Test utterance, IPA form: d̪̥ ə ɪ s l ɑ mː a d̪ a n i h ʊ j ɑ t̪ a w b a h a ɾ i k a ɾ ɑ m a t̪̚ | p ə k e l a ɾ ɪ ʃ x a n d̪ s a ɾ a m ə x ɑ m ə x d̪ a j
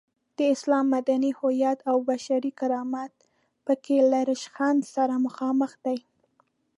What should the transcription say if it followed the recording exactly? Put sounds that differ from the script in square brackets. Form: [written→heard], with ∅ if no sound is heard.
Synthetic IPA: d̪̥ ə ɪ s l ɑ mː a d̪ a n i h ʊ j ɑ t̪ a w b a [h→ʃ] a ɾ i k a ɾ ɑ m a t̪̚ | p ə k e l a ɾ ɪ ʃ x a n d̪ s a ɾ a m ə x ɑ m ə x d̪ a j

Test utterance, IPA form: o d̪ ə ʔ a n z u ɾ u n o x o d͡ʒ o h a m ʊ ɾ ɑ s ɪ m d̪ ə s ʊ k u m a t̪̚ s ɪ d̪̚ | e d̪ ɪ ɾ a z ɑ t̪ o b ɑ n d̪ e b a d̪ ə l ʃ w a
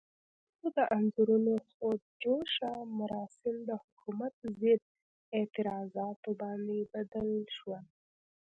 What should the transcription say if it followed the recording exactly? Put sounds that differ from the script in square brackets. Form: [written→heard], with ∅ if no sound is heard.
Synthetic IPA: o d̪ ə ʔ a n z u ɾ u n o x o d͡ʒ o [h→ʃ] a m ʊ ɾ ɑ s ɪ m d̪ ə [s→h] ʊ k u m a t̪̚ [s→z] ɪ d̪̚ | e [d̪→t̪] ɪ ɾ [a→ɑ] z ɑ t̪ o b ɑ n d̪ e b a d̪ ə l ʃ w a

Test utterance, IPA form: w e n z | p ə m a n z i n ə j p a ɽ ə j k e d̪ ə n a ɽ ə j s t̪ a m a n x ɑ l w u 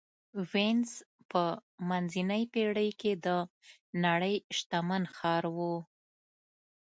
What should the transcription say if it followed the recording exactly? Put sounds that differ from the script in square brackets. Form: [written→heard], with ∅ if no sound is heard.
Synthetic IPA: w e n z | p ə m a n z i n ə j p [a→e] ɽ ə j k e d̪ ə n a ɽ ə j [s→ʃ] t̪ a m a n x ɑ [l→ɾ] w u

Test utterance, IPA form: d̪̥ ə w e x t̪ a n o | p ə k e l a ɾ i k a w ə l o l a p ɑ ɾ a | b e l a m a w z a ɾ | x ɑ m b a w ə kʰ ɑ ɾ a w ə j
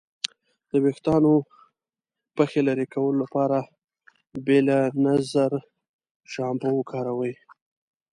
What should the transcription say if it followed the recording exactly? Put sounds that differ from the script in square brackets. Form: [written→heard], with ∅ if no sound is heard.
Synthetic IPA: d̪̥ ə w e x t̪ [a→ɑ] n o | p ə [k→x] e l a ɾ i k a w ə l o l a p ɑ ɾ a | b e l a [m→n] a [w→∅] z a ɾ | [x→ʃ] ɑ m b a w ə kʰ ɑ ɾ a w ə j

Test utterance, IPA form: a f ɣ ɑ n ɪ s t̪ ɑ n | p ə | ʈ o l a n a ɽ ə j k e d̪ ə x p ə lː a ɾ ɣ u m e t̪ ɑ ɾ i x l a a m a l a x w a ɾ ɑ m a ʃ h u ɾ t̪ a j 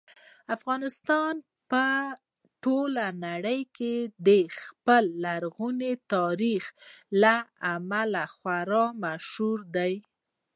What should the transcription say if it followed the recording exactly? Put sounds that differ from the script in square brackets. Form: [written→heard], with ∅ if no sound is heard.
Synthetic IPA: a f ɣ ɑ n ɪ s t̪ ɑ n | p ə | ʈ o l a n a ɽ ə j k e d̪ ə x p ə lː a ɾ ɣ u [m→n] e t̪ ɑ ɾ i x l a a m a l a x w a ɾ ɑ m a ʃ h u ɾ [t̪→d̪] a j

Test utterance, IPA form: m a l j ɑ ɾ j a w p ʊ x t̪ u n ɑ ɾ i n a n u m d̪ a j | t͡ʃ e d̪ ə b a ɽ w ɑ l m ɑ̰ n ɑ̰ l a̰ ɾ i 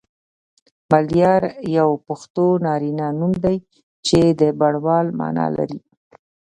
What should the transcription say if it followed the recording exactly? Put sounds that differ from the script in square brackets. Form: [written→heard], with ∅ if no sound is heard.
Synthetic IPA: m a l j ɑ ɾ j a w p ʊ x t̪ [u→o] n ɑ ɾ i n a n u m d̪ a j | t͡ʃ e d̪ ə b a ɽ w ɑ l m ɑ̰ n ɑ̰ l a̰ ɾ i

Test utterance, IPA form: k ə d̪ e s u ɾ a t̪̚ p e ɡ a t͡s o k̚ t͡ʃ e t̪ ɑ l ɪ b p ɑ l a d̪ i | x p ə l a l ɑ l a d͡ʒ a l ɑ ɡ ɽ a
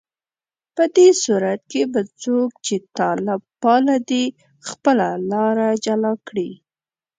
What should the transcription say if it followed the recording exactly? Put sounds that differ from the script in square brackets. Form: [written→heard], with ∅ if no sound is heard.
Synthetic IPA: [k→p] ə d̪ e s u ɾ a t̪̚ [p→k] e [ɡ→b] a t͡s o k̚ t͡ʃ e t̪ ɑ l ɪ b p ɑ l a d̪ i | x p ə l a l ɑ [l→ɾ] a d͡ʒ a l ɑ [ɡ→k] ɽ [a→i]

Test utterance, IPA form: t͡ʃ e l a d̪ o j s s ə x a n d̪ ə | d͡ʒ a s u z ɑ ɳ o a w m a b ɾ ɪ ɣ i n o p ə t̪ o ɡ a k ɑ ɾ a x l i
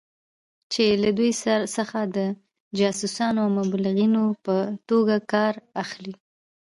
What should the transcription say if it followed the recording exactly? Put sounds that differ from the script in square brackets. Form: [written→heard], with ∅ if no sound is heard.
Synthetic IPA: t͡ʃ e l a d̪ [o→u] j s s ə x a [n→∅] d̪ ə | d͡ʒ [a→ɑ] s u [z→s] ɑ [ɳ→n] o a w m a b [ɾ→l] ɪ ɣ i n o p ə t̪ o ɡ a k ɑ ɾ a x l i

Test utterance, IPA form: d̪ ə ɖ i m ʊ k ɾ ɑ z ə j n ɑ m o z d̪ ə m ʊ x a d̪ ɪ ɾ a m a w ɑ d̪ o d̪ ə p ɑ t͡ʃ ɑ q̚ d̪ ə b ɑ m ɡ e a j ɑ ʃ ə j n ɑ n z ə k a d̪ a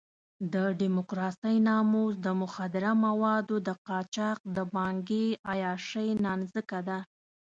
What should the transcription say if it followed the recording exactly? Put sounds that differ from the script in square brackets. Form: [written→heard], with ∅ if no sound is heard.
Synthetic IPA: d̪ ə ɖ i m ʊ k ɾ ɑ [z→s] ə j n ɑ m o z d̪ ə m ʊ x a d̪ ɪ ɾ a m a w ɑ d̪ o d̪ ə [p→q] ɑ t͡ʃ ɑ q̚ d̪ ə b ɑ [m→ŋ] ɡ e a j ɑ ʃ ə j n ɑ n z ə k a d̪ a

